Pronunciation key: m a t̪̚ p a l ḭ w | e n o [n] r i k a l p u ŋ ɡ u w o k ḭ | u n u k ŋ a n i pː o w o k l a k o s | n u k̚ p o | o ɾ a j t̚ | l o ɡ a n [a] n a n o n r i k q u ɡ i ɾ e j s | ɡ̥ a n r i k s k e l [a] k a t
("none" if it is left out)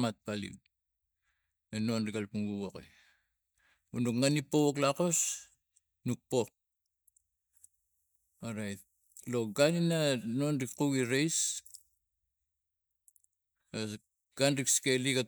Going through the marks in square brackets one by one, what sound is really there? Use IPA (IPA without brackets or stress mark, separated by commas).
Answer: n, i, i